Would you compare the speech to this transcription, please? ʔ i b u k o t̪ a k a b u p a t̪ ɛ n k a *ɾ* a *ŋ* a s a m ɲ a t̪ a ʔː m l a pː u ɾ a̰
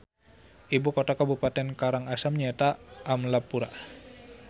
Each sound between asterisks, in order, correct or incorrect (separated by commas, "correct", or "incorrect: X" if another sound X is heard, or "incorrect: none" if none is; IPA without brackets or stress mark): correct, correct